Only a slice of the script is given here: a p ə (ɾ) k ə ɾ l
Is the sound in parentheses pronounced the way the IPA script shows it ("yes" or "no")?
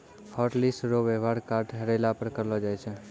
yes